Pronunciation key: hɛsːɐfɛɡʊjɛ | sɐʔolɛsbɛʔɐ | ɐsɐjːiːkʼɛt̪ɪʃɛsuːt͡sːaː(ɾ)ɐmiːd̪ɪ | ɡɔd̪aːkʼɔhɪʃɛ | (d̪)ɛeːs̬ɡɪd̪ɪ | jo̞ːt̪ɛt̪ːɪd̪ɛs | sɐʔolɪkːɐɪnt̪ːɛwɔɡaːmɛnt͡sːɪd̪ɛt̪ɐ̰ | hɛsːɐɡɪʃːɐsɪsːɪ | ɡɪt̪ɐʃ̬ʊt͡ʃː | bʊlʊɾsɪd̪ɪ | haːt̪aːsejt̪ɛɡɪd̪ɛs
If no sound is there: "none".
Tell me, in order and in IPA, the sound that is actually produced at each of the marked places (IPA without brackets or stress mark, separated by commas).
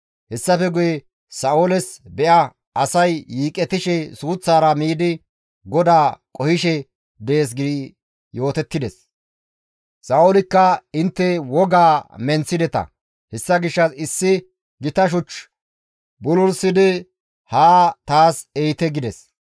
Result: ɾ, d̪